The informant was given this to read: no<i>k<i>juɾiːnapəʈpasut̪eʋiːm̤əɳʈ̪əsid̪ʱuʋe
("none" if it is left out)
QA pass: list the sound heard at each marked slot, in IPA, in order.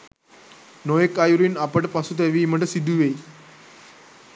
e, a

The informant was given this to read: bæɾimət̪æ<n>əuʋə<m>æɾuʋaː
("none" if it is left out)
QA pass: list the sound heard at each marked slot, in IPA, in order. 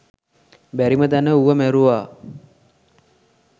n, m

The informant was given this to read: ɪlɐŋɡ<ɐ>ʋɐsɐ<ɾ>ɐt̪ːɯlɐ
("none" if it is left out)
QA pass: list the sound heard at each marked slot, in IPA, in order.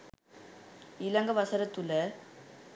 ɐ, ɾ

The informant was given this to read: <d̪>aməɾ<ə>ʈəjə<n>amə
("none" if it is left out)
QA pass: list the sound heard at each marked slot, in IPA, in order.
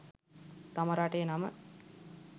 t̪, a, n

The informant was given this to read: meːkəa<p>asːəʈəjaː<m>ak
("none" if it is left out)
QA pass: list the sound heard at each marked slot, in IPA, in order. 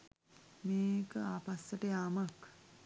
p, m

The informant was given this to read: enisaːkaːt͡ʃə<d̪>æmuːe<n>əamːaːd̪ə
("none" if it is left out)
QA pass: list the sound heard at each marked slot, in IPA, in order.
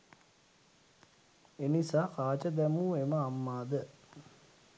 d̪, m

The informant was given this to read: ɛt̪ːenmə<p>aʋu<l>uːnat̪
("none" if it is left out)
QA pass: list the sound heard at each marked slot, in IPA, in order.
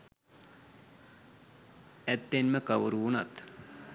k, ɾ

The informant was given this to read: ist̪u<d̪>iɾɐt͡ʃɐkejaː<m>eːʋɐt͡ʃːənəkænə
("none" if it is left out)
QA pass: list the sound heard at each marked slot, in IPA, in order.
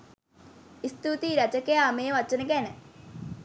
t̪, m

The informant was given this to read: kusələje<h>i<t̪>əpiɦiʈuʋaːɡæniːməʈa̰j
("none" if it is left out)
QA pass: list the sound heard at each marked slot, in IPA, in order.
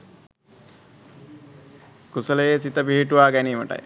s, t̪

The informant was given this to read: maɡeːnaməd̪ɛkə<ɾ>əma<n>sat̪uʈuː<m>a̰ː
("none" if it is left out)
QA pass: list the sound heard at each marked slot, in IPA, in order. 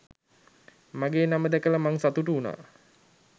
l, ŋ, n

